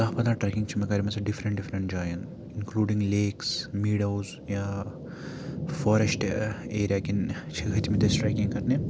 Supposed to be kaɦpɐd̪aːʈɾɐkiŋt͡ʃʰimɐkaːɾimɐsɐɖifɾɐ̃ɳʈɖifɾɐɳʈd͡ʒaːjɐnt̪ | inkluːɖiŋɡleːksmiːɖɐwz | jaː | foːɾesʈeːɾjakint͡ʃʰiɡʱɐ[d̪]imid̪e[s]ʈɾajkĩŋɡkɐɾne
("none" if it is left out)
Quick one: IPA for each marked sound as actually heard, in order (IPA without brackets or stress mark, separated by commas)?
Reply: t̪, s